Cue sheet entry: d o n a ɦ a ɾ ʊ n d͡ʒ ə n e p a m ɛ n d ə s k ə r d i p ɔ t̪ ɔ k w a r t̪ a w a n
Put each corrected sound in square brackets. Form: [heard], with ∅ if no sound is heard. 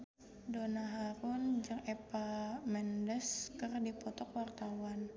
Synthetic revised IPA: d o n a ɦ a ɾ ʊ n d͡ʒ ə [ŋ] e p a m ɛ n d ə s k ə r d i p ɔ t̪ ɔ k w a r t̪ a w a n